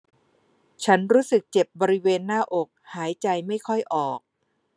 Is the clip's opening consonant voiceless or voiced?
voiceless